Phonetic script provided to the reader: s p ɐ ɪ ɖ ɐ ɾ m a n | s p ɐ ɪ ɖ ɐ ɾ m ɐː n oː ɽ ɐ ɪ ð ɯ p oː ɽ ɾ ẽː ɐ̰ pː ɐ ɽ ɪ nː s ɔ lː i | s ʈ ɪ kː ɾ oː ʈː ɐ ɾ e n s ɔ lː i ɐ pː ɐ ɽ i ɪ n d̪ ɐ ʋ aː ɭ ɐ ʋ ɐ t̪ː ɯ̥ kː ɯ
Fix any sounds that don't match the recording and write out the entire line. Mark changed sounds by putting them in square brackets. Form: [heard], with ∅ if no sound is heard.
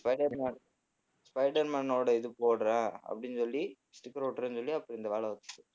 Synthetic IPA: s p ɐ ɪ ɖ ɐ ɾ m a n | s p ɐ ɪ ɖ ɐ ɾ m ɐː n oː ɽ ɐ ɪ ð ɯ p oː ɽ ɾ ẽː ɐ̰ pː ɐ ɽ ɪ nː s ɔ lː i | s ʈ ɪ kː ɾ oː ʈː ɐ ɾ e n s ɔ lː i ɐ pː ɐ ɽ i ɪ n d̪ ɐ ʋ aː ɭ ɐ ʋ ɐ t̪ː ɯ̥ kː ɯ